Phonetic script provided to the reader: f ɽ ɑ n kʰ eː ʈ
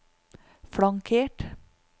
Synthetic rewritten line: f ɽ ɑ ŋ kʰ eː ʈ